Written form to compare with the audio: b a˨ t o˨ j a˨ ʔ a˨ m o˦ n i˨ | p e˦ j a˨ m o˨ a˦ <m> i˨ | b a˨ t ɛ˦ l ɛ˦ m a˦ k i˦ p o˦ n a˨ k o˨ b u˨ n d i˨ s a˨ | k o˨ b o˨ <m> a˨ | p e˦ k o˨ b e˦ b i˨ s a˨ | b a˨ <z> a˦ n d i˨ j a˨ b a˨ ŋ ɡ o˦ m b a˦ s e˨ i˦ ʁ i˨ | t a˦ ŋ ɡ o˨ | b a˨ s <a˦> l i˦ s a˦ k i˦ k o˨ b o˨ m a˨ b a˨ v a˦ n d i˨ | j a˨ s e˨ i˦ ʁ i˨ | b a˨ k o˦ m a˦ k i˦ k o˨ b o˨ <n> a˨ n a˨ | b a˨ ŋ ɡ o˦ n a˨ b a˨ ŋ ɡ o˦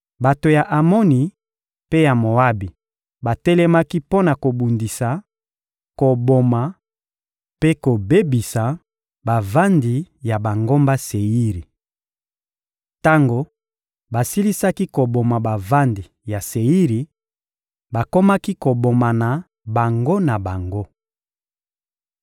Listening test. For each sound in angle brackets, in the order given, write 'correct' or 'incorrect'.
incorrect: b, correct, incorrect: v, incorrect: i˦, incorrect: m

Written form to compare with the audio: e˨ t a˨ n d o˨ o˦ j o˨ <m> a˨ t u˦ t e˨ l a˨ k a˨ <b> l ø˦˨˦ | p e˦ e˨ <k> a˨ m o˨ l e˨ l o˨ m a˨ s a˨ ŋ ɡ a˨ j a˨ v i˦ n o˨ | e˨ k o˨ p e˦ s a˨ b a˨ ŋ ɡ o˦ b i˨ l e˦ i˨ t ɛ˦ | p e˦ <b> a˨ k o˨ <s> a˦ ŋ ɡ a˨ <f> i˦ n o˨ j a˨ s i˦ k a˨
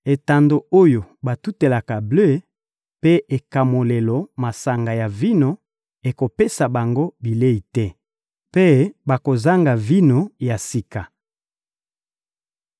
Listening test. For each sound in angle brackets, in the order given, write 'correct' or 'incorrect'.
incorrect: b, correct, correct, correct, incorrect: z, incorrect: v

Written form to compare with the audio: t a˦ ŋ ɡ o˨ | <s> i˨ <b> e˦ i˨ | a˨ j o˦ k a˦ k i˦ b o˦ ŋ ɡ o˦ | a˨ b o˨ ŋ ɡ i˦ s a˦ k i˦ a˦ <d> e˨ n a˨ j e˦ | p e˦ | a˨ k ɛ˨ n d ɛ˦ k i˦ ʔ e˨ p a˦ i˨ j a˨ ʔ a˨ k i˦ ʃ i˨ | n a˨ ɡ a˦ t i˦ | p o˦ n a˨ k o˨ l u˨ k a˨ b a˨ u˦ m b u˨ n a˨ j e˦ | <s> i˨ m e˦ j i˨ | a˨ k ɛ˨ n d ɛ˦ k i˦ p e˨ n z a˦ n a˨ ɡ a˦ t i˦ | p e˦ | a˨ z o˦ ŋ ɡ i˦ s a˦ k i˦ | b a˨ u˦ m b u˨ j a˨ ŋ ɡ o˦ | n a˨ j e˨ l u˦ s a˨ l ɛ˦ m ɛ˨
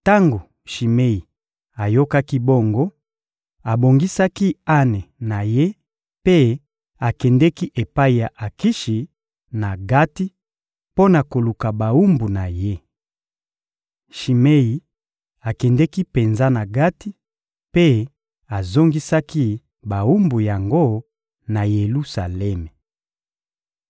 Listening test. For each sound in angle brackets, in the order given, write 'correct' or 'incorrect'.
incorrect: ʃ, incorrect: m, incorrect: n, incorrect: ʃ

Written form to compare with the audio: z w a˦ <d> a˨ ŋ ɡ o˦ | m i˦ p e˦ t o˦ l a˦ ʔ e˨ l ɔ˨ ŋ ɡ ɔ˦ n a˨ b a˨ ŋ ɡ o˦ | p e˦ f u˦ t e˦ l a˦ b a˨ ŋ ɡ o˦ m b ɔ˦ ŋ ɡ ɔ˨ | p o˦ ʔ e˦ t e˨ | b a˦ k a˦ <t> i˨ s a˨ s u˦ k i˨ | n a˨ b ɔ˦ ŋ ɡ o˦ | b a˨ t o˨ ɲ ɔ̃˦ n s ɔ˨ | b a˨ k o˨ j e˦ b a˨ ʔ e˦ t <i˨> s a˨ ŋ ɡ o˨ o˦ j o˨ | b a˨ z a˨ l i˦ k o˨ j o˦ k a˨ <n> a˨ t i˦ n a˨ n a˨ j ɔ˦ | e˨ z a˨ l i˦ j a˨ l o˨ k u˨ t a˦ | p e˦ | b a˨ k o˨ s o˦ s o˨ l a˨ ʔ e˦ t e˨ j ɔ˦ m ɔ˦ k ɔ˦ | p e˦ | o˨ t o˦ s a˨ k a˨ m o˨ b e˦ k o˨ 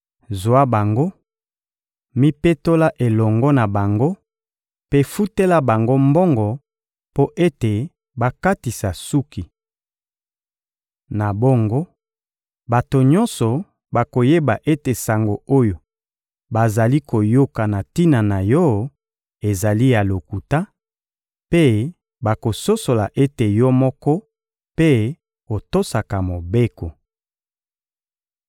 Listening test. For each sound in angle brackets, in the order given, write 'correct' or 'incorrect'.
incorrect: b, correct, incorrect: e˨, correct

